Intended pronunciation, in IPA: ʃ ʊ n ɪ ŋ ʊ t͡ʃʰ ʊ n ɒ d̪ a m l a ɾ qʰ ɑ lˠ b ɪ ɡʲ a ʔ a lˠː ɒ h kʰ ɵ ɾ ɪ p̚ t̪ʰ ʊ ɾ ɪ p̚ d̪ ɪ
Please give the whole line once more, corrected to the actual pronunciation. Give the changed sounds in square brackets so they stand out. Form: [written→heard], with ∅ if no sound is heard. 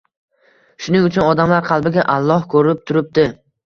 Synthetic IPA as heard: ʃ ʊ n ɪ ŋ ʊ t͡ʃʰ ʊ n ɒ d̪ a m l a ɾ qʰ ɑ lˠ b ɪ ɡʲ a ʔ a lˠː ɒ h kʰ ɵ ɾ ɪ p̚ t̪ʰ ʊ ɾ ɪ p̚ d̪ ɪ